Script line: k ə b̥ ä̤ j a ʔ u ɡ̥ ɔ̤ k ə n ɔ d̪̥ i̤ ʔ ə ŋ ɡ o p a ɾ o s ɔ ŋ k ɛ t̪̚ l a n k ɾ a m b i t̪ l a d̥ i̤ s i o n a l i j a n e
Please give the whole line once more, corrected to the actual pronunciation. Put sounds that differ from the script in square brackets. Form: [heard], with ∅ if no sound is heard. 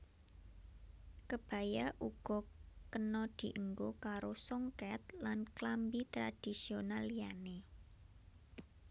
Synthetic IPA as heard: k ə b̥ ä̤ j a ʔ u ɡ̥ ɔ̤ k ə n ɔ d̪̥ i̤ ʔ ə ŋ ɡ o [k] a ɾ o s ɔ ŋ k ɛ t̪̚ l a n k [l] a m b i t̪ [ɾ] a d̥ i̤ s i o n a l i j a n e

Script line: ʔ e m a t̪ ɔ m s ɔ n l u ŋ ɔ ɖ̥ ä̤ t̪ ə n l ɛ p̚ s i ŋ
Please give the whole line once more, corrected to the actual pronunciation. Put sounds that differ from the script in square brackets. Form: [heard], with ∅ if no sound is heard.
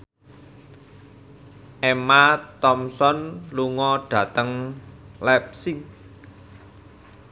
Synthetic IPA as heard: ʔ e m a t̪ ɔ m s ɔ n l u ŋ ɔ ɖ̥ ä̤ t̪ ə [ŋ] l ɛ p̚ s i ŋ

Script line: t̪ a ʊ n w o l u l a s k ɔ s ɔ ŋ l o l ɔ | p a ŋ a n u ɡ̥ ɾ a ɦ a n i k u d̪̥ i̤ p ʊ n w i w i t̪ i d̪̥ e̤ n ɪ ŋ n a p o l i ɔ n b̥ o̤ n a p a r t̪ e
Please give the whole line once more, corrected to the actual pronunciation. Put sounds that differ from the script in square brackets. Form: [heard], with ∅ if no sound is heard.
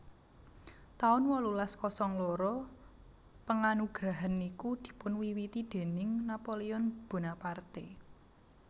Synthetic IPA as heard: t̪ a ʊ n w [ɔ] l u l a s k ɔ s ɔ ŋ l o [ɾ] ɔ | p [ə] ŋ a n u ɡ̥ ɾ a ɦ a n i k u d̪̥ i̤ p ʊ n w i w i t̪ i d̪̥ e̤ n ɪ ŋ n a p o l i ɔ n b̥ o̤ n a p a r t̪ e

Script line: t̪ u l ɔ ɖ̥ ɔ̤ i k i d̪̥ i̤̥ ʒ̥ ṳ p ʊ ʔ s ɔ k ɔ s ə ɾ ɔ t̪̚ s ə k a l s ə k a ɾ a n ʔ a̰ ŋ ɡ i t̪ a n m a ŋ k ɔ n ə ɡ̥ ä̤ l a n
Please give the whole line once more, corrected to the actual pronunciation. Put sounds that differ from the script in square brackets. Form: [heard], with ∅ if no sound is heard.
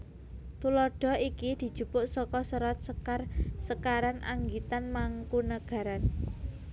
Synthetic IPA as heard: t̪ u l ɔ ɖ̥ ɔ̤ i k i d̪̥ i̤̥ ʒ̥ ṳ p ʊ ʔ s ɔ k ɔ s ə ɾ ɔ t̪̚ s ə k a [r] s ə k a ɾ a n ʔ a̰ ŋ ɡ i t̪ a n m a ŋ k [u] n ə ɡ̥ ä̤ [ɾ] a n

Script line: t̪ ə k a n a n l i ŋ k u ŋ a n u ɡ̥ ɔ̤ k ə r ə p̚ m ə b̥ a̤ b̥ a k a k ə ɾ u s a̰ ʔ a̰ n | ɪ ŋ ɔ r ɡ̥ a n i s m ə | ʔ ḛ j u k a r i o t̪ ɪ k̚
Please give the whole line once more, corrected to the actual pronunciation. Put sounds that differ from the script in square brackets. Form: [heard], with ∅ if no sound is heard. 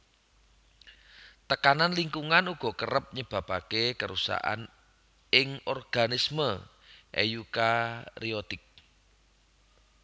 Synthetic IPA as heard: t̪ ə k a n a n l i ŋ k u ŋ a n u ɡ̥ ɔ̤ k ə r ə p̚ [ɲ] ə b̥ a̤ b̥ a k [e] k ə ɾ u s a̰ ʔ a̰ n | ɪ ŋ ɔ r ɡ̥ a n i s m ə | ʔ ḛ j u k a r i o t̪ ɪ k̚

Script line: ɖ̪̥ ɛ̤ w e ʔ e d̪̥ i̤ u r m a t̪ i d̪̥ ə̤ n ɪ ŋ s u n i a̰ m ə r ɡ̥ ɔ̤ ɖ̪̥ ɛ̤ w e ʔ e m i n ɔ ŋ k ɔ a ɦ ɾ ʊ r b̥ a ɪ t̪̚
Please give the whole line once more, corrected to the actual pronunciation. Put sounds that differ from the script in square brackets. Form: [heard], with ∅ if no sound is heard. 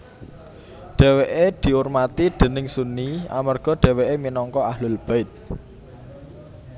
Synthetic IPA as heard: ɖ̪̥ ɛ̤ w e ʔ e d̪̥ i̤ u r m a t̪ i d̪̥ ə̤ n ɪ ŋ s u n i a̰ m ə r ɡ̥ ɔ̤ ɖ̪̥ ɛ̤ w e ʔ e m i n ɔ ŋ k ɔ a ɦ [l] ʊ [l] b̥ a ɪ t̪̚

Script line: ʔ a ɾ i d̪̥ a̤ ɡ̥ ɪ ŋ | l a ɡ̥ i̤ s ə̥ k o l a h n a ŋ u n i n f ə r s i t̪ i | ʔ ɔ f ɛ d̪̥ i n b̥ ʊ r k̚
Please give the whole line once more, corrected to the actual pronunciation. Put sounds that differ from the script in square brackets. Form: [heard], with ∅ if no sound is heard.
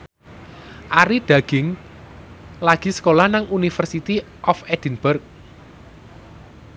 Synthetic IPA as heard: ʔ a ɾ i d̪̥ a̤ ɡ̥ ɪ ŋ | l a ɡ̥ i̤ s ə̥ k o l a h n a ŋ u n i [∅] f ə r s i t̪ i | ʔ ɔ f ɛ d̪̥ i n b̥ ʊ r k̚

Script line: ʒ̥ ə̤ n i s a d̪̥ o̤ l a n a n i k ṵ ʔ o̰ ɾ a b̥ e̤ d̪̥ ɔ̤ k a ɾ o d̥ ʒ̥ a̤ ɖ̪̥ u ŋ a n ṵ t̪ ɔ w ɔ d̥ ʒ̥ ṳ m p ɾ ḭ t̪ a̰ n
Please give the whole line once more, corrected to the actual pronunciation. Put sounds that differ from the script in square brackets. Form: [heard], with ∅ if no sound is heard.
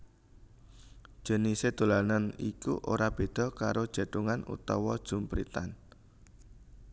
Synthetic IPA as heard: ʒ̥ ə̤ n i s [e] d̪̥ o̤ l a n a n i k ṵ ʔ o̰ ɾ a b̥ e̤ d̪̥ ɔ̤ k a ɾ o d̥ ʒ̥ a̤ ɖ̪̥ u ŋ a n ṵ t̪ ɔ w ɔ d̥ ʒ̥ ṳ m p ɾ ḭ t̪ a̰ n

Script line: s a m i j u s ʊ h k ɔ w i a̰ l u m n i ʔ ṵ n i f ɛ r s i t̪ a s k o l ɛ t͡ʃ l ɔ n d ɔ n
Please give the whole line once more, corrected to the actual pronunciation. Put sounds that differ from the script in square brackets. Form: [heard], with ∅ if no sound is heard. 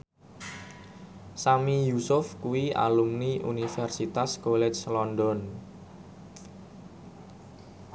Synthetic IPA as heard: s a m i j u s ʊ [f] k [u] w i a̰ l u m n i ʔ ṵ n i f ɛ r s i t̪ a s k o l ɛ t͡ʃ l ɔ n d ɔ n

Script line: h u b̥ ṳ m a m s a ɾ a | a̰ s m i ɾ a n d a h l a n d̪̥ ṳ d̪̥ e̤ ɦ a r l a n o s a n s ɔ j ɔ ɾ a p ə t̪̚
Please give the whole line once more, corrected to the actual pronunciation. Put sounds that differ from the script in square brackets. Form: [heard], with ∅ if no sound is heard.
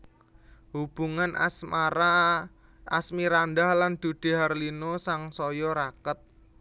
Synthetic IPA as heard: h u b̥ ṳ [ŋ] a [n] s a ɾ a | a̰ s m i ɾ a n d a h l a n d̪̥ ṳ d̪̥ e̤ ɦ a r l [i] n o s a [ŋ] s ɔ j ɔ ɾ a [k] ə t̪̚

